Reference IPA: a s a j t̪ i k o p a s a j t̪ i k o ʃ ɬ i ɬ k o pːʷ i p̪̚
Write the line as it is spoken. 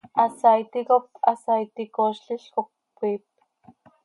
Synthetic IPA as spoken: a s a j t̪ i k o p a s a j t̪ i k o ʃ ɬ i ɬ k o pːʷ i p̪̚